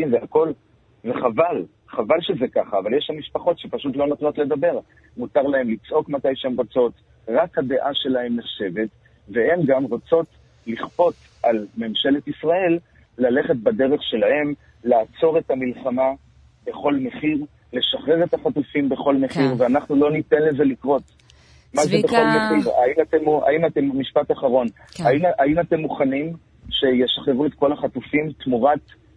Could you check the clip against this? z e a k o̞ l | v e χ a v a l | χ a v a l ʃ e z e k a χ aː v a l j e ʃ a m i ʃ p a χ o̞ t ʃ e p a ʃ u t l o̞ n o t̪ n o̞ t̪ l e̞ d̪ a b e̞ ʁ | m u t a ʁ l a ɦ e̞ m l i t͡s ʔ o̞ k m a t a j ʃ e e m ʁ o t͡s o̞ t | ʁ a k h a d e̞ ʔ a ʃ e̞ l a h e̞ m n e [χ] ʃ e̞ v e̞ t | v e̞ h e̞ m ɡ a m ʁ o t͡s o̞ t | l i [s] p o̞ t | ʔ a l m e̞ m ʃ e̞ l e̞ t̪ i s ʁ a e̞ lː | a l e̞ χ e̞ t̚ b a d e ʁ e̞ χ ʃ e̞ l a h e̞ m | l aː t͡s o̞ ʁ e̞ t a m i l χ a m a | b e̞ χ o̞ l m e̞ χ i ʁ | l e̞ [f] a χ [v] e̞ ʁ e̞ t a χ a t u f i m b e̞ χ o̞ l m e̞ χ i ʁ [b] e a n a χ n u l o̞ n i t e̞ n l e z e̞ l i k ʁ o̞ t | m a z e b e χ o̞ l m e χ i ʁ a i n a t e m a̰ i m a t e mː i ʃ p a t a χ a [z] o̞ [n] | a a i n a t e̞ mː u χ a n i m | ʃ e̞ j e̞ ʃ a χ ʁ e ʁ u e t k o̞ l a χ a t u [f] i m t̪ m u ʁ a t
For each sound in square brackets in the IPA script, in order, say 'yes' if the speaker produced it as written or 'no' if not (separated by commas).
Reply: yes, no, no, no, no, no, yes, yes